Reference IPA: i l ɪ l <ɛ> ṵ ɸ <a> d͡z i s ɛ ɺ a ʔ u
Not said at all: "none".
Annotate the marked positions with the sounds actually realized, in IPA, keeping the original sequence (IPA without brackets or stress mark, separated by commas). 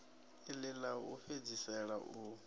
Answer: a, e